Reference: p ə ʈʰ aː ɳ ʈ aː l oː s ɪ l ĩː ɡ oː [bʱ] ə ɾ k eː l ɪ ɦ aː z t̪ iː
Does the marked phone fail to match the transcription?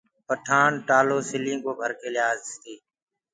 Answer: no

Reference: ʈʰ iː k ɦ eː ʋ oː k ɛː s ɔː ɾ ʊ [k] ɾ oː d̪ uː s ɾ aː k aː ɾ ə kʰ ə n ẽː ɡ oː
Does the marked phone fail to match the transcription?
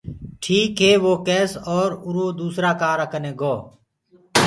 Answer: yes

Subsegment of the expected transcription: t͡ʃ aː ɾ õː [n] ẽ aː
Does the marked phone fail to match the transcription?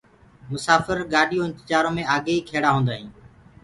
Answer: yes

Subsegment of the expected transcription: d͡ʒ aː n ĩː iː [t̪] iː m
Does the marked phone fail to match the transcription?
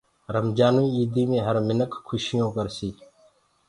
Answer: yes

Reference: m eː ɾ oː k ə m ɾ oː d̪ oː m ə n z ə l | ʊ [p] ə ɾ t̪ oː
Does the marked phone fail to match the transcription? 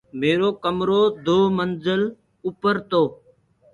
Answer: no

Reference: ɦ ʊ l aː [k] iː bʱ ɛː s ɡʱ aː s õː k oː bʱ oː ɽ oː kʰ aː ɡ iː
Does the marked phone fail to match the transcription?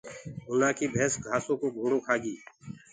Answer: no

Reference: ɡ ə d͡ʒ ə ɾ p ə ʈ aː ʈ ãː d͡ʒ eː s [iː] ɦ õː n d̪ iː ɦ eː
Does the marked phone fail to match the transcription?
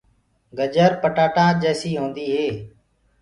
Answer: no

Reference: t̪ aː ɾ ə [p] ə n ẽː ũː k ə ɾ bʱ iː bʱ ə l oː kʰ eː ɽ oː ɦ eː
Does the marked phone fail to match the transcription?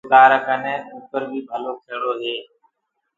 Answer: yes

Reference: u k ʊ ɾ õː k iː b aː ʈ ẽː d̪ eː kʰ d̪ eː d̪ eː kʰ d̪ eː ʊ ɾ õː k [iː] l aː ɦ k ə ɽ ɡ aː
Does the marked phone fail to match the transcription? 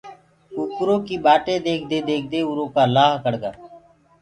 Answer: yes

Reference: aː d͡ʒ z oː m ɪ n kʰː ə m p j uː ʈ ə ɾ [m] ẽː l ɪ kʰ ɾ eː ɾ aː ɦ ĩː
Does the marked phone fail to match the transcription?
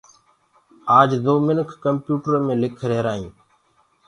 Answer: no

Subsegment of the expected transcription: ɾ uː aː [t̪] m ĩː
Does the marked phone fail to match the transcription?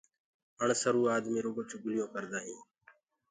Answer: yes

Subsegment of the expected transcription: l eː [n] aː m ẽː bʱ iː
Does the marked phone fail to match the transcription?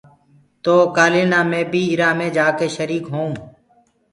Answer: no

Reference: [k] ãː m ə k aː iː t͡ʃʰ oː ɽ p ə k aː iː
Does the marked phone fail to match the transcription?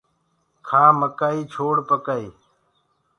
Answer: yes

